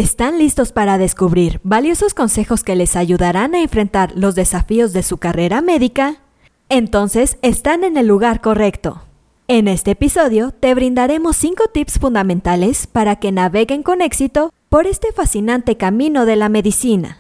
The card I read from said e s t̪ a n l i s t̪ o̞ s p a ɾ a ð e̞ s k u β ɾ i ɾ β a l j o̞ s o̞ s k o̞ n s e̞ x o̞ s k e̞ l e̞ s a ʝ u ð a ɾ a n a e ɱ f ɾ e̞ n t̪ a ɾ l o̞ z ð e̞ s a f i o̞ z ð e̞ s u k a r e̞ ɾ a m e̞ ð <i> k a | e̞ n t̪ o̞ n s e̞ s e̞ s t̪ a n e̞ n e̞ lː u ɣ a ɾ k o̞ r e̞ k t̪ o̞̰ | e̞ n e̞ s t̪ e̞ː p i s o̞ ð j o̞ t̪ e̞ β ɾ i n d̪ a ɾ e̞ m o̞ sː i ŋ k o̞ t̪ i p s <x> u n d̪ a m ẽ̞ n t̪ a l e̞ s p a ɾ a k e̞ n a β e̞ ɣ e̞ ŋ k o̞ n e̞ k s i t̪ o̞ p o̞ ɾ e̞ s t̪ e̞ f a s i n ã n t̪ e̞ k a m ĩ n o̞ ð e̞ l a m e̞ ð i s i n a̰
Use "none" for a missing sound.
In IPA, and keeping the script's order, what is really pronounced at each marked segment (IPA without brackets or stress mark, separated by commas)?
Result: i, f